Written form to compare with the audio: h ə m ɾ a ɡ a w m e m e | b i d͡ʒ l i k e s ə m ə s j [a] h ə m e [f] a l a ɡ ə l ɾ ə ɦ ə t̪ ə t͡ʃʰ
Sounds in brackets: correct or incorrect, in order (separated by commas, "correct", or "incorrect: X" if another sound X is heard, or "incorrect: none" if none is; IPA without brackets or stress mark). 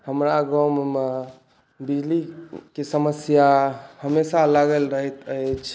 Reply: correct, incorrect: s